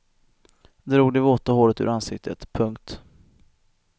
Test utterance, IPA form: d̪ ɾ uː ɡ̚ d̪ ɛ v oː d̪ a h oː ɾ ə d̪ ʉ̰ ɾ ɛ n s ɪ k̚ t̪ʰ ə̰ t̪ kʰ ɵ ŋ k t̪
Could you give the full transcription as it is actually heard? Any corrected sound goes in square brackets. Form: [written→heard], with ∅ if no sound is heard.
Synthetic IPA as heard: d̪ ɾ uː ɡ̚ d̪ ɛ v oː [d̪→t̪] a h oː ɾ ə [d̪→t̪] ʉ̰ ɾ [ɛ→a] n s ɪ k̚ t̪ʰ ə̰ t̪ [kʰ→pʰ] ɵ ŋ k t̪